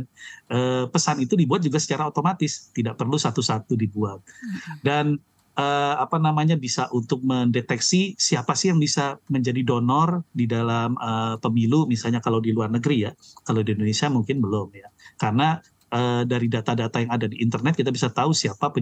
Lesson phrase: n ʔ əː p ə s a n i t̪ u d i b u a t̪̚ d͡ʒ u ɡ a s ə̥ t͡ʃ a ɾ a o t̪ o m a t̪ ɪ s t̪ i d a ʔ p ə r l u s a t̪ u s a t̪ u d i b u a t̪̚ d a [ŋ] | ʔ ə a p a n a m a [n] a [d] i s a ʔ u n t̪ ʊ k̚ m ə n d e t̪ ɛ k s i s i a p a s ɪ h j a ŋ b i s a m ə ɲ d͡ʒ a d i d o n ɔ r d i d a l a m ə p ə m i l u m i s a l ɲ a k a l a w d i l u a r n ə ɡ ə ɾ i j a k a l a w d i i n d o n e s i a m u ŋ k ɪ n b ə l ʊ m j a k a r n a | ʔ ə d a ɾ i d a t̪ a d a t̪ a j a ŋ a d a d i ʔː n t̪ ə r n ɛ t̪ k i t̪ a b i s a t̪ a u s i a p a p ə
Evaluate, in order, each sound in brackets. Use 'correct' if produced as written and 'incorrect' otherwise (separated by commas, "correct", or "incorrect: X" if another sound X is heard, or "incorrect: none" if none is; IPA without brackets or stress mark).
incorrect: n, incorrect: ɲ, incorrect: b